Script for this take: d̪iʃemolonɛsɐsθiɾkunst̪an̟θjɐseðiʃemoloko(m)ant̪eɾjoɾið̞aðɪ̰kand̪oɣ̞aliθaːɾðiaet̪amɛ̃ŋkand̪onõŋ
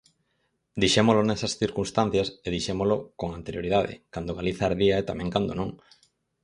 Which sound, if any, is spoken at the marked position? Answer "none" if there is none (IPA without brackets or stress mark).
ŋ